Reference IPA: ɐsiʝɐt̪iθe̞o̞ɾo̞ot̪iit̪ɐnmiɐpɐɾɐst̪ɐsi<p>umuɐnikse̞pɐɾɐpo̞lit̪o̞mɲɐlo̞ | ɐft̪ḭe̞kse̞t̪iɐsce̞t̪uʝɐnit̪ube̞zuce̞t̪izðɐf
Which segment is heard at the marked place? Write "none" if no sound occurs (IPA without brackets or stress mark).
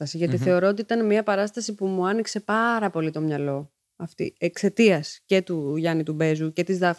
p